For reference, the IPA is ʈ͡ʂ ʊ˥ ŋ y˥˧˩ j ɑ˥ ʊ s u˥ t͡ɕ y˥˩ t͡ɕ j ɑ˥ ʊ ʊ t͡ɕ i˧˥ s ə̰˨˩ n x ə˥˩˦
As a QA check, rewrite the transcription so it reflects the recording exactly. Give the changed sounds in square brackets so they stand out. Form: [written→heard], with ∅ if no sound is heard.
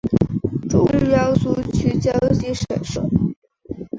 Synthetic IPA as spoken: ʈ͡ʂ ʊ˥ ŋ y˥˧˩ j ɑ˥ ʊ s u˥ [t͡ɕ→t͡ɕʰ] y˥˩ t͡ɕ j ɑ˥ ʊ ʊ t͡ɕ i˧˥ [s→ʂ] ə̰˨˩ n [x→ʂ] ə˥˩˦